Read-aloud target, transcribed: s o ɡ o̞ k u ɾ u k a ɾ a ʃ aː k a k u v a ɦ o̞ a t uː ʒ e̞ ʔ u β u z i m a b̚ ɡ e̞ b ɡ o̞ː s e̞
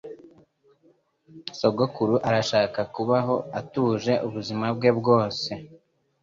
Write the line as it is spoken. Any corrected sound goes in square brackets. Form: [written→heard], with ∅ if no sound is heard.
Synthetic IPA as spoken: s o ɡ o̞ k u ɾ u [k→ʔ] a ɾ a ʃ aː k a k u [v→β] a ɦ o̞ a t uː ʒ e̞ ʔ u β u z i m a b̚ ɡ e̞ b ɡ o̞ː s e̞